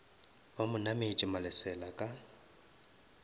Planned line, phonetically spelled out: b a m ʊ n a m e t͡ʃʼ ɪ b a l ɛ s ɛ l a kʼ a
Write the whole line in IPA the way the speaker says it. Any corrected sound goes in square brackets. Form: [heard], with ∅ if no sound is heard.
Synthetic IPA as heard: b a m ʊ n a m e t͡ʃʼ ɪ [m] a l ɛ s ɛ l a kʼ a